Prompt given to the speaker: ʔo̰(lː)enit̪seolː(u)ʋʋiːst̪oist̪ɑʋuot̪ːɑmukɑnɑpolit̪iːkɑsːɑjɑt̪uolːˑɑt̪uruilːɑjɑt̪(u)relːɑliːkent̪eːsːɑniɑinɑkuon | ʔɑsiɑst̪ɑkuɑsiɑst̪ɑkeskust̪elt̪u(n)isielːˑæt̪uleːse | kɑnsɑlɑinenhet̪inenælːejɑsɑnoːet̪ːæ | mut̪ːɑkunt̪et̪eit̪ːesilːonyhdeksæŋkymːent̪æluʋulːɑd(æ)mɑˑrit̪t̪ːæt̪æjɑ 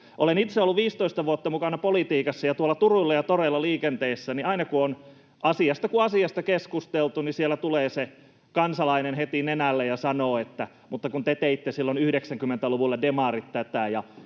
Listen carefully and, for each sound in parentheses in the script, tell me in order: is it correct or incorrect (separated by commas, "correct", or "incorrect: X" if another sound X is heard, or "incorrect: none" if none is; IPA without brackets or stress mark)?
incorrect: l, correct, incorrect: o, correct, incorrect: e